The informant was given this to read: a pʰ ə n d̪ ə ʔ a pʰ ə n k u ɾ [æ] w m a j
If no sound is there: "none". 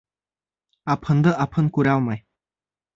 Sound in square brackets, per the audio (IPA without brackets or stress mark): a